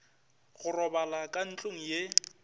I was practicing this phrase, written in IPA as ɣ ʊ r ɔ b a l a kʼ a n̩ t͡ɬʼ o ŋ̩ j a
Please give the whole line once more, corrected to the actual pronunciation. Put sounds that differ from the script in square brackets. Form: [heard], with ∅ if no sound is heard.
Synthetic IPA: ɣ ʊ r ɔ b a l a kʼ a n̩ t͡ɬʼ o ŋ̩ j [e]